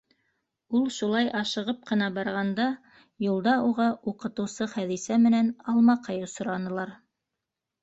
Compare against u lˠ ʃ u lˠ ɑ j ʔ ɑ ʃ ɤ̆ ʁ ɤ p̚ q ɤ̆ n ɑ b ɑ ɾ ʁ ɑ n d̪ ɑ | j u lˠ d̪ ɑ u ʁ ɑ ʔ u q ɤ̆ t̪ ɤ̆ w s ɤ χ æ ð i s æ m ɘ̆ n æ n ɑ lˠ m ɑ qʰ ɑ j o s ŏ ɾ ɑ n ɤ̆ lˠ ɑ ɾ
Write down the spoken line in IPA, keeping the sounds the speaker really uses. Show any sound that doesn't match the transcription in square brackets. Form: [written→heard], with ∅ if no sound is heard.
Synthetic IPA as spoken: u lˠ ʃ u lˠ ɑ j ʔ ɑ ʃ ɤ̆ ʁ ɤ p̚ q ɤ̆ n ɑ b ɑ ɾ ʁ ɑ n d̪ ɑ | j u lˠ d̪ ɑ u ʁ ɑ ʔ u q ɤ̆ t̪ ɤ̆ w s ɤ χ æ ð i s æ m ɘ̆ n æ n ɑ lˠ m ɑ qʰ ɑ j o s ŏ ɾ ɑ n ɤ̆ lˠ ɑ ɾ

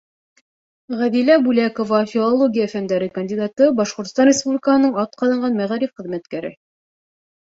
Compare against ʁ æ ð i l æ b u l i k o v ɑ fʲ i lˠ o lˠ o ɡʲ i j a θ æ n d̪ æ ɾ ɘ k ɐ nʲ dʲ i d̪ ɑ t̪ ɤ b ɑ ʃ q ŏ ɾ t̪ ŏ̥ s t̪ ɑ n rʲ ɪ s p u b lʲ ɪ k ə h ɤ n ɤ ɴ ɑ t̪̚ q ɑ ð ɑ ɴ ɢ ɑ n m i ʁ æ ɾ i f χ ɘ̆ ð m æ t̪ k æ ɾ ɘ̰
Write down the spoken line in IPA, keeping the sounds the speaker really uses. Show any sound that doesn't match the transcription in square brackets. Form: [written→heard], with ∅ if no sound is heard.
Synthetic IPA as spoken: ʁ æ ð i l æ b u l [i→æ] k o v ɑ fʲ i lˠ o lˠ o ɡʲ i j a [θ→f] æ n d̪ æ ɾ ɘ k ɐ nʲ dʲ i d̪ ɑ t̪ ɤ b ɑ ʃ q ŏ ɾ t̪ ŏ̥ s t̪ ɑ n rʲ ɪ s p u b lʲ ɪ k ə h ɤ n ɤ ɴ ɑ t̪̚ q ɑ ð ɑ ɴ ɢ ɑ n m [i→æ] ʁ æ ɾ i f χ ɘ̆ ð m æ t̪ k æ ɾ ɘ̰

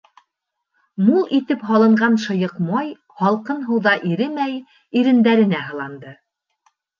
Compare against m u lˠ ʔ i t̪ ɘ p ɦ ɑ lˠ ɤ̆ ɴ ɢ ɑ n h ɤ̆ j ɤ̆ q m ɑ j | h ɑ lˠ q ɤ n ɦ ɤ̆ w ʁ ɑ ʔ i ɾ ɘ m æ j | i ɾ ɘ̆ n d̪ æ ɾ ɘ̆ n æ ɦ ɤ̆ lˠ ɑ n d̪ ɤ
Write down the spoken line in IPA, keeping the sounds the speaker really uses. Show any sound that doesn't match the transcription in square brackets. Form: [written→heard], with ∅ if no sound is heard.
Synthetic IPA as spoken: m u lˠ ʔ i t̪ ɘ p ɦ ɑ lˠ ɤ̆ ɴ ɢ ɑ n [h→ʃ] ɤ̆ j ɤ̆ q m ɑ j | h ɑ lˠ q ɤ n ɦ ɤ̆ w [ʁ→ð] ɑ ʔ i ɾ ɘ m æ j | i ɾ ɘ̆ n d̪ æ ɾ ɘ̆ n æ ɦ ɤ̆ lˠ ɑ n d̪ ɤ

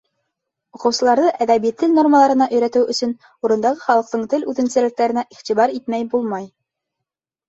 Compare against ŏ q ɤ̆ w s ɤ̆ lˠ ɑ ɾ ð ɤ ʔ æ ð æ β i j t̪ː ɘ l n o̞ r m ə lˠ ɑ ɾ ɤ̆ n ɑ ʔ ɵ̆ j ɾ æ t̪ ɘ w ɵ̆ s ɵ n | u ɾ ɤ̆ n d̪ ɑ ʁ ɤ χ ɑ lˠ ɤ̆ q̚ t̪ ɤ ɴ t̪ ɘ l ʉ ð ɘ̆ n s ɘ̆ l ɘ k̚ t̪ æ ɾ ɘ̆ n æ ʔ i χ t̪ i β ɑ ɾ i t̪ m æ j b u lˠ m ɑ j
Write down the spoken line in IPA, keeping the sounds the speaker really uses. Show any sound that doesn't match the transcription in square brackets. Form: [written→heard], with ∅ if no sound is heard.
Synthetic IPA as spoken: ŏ q ɤ̆ w s ɤ̆ lˠ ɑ ɾ ð ɤ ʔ æ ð æ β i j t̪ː ɘ l n o̞ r m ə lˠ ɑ ɾ ɤ̆ n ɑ ʔ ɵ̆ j ɾ æ t̪ ɘ w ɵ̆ s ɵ n | u ɾ ɤ̆ n d̪ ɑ ʁ ɤ χ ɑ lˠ ɤ̆ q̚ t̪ ɤ ɴ t̪ ɘ l ʉ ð ɘ̆ n s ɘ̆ l ɘ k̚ t̪ æ ɾ ɘ̆ n æ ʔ i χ t̪ i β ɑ ɾ i t̪ m æ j b u lˠ m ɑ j

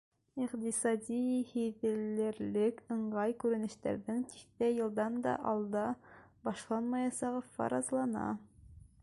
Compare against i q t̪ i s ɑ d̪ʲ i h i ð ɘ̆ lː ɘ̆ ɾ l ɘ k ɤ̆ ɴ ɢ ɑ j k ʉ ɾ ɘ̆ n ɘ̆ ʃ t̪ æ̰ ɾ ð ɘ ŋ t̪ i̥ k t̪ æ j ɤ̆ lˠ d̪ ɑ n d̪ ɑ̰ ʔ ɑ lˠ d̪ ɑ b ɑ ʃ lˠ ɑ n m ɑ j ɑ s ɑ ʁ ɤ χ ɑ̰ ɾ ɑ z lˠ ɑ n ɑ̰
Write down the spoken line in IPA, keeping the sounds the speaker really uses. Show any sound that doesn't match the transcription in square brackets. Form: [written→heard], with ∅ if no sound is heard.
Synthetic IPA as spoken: i q t̪ i s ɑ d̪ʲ i h i ð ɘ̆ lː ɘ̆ ɾ l ɘ k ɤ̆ ɴ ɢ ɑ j k ʉ ɾ ɘ̆ n ɘ̆ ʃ t̪ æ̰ ɾ ð ɘ ŋ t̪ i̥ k t̪ æ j ɤ̆ lˠ d̪ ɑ n d̪ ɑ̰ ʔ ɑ lˠ d̪ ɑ b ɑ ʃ lˠ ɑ n m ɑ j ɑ s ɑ ʁ ɤ [χ→f] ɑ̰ ɾ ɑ z lˠ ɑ n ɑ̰

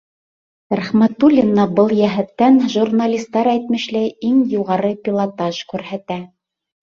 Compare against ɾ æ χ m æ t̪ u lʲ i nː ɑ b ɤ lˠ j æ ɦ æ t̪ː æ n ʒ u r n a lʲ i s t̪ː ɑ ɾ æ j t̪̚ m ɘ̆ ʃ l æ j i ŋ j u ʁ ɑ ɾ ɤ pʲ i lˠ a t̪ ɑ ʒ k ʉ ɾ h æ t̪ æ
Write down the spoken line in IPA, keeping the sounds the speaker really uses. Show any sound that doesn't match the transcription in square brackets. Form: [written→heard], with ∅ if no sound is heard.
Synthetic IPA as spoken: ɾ æ χ m æ t̪ u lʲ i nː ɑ b ɤ lˠ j æ ɦ æ t̪ː æ n ʒ u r n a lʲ i s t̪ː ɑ ɾ æ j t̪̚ m ɘ̆ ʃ l æ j i ŋ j u ʁ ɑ ɾ ɤ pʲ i lˠ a t̪ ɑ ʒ k ʉ ɾ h æ t̪ æ

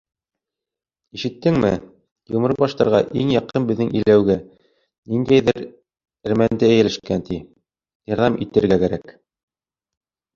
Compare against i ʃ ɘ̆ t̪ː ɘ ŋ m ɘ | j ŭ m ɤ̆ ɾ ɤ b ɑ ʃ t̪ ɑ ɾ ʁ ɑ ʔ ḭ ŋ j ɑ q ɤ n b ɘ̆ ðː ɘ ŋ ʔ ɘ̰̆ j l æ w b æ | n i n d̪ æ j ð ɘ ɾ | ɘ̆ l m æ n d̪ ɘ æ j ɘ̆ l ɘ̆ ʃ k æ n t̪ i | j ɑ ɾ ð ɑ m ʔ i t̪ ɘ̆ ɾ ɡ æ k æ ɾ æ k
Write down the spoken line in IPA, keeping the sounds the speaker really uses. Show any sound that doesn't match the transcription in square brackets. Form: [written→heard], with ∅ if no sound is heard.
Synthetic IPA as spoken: i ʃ ɘ̆ t̪ː ɘ ŋ m ɘ | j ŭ m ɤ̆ ɾ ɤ b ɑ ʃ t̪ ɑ ɾ ʁ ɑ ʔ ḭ ŋ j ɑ q ɤ n b ɘ̆ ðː ɘ ŋ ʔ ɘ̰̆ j l æ w [b→ɡ] æ | n i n d̪ æ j ð ɘ ɾ | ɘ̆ [l→ɾ] m æ n d̪ ɘ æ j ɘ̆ l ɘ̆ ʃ k æ n t̪ i | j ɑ ɾ ð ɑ m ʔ i t̪ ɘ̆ ɾ ɡ æ k æ ɾ æ k

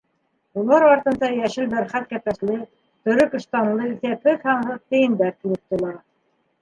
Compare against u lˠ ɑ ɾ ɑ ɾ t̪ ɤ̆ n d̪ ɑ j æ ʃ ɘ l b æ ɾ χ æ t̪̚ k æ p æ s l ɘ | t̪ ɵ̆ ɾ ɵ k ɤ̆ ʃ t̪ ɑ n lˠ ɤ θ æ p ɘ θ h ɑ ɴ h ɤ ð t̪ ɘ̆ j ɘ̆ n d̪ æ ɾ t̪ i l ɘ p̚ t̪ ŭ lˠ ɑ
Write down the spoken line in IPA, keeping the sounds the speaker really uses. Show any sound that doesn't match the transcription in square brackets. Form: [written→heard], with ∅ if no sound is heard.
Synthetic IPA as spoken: u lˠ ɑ ɾ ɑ ɾ t̪ ɤ̆ n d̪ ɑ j æ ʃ ɘ l b æ ɾ χ æ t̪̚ k æ p æ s l ɘ | t̪ ɵ̆ ɾ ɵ k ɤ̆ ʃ t̪ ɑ n lˠ ɤ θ æ p ɘ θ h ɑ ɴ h ɤ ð t̪ ɘ̆ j ɘ̆ n d̪ æ ɾ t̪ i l ɘ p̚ t̪ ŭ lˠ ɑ

